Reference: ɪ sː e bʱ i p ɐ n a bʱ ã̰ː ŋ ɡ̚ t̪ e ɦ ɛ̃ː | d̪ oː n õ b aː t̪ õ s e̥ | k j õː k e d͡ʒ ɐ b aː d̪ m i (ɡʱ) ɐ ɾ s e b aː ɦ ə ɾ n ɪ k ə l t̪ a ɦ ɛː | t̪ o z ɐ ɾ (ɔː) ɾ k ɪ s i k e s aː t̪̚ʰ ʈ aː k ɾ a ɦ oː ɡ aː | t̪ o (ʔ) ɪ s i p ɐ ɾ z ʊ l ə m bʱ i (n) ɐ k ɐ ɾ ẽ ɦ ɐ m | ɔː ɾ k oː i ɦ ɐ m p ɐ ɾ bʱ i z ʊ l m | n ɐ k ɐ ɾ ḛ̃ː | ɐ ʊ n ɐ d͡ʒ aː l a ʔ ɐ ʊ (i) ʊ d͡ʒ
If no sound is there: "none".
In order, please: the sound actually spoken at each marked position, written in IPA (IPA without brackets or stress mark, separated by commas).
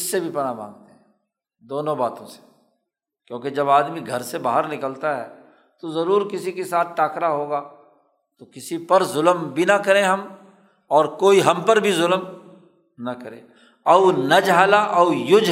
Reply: ɡʱ, uː, k, n, j